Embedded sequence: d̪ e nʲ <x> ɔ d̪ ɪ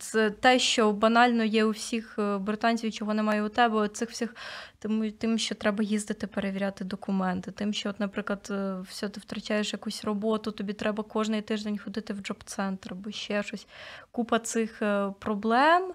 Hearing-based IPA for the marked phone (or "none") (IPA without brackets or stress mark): x